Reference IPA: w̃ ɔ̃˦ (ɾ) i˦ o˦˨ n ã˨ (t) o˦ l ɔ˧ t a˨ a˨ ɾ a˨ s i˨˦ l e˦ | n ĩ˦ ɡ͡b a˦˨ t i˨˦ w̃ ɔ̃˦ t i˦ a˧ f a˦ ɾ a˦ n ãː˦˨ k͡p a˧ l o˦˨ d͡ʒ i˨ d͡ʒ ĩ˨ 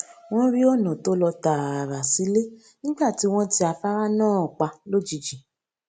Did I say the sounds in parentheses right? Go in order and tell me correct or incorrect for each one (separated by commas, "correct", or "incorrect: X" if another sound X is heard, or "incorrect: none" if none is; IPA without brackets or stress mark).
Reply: correct, correct